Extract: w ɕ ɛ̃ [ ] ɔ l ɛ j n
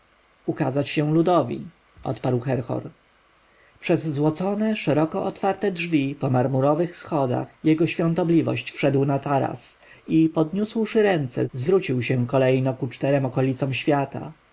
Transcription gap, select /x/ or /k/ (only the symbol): k